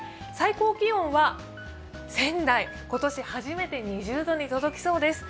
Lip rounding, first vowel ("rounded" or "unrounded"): unrounded